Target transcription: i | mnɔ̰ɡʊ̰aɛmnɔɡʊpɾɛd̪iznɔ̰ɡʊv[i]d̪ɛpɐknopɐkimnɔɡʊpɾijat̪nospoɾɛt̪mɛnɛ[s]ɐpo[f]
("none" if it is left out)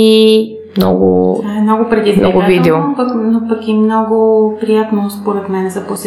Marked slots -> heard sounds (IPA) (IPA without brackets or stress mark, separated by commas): i, z, s